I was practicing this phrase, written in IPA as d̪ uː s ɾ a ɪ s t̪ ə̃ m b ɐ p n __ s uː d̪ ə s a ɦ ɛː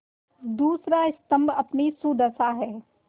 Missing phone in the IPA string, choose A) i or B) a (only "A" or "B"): A